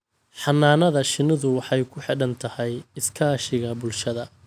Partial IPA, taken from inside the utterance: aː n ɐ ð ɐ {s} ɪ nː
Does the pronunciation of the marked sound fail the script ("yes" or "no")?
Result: yes